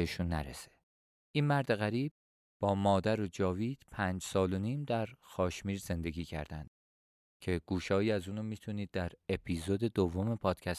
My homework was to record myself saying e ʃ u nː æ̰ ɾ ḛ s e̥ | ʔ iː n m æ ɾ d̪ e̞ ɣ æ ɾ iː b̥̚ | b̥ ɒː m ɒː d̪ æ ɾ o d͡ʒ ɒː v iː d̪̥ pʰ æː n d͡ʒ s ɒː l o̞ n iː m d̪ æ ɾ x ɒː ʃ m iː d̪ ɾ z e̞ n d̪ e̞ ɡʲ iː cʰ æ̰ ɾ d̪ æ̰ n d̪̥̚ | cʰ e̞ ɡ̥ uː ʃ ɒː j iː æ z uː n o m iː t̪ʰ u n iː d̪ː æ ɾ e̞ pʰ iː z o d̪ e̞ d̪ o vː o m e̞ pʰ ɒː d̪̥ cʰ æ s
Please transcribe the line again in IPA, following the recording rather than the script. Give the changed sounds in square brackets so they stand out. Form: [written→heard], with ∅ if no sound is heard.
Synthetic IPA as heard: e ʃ u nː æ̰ ɾ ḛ s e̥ | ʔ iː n m æ ɾ d̪ e̞ ɣ æ ɾ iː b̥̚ | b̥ ɒː m ɒː d̪ æ ɾ o d͡ʒ ɒː v iː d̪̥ pʰ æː n d͡ʒ s ɒː l o̞ n iː m d̪ æ ɾ x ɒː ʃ m iː [d̪→∅] ɾ z e̞ n d̪ e̞ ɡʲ iː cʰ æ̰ ɾ d̪ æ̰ n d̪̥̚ | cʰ e̞ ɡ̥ uː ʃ ɒː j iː æ z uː n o m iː t̪ʰ u n iː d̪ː æ ɾ e̞ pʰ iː z o d̪ e̞ d̪ o vː o m e̞ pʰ ɒː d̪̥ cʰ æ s